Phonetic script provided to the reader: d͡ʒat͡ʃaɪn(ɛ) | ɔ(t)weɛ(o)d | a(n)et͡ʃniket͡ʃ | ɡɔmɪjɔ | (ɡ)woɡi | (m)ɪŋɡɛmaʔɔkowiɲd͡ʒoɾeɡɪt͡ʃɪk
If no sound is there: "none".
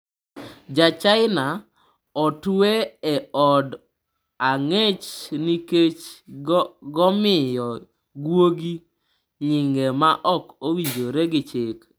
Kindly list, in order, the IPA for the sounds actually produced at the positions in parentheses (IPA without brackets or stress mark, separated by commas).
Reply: a, t, ɔ, ŋ, ɡ, ɲ